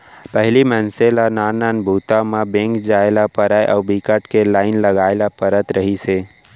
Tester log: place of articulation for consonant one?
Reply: labial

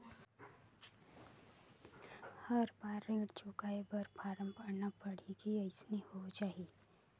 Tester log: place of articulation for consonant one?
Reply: glottal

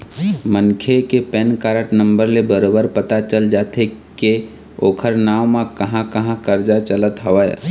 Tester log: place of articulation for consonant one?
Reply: labial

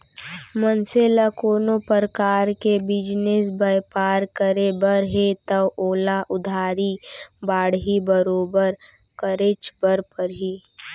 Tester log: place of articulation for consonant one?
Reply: labial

